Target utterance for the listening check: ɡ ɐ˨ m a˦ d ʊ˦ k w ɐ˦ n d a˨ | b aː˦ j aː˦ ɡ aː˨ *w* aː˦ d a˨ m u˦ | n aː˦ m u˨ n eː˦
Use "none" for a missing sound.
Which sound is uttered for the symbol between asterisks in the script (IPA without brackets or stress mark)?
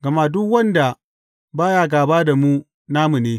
b